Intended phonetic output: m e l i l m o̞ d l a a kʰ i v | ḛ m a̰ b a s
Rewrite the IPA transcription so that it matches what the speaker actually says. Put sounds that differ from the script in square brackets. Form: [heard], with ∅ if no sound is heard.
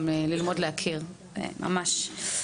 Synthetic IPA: m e l i l m o̞ d l [e] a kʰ i [ʁ] | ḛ m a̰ [m] a [ʃ]